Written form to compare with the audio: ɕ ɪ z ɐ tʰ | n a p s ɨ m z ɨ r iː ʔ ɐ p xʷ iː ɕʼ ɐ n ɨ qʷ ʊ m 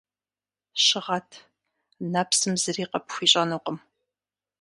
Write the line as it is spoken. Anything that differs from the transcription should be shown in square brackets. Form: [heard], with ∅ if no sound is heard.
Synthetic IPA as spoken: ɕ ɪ [ʁ] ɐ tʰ | n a p s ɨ m z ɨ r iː [q] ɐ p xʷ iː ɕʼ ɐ n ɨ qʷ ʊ m